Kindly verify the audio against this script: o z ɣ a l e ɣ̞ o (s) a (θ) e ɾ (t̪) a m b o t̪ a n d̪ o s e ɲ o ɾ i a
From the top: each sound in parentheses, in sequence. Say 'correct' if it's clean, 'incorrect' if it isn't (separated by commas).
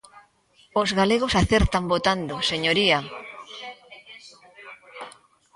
correct, correct, correct